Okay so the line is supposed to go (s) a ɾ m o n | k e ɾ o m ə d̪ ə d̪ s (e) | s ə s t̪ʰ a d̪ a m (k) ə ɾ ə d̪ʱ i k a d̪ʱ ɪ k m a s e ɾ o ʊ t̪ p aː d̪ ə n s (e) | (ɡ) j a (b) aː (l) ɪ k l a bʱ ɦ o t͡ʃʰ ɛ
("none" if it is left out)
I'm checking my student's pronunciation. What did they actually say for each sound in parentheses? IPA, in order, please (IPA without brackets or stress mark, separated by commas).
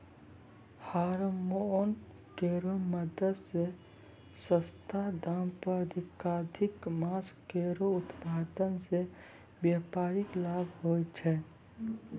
h, e, p, e, b, p, ɾ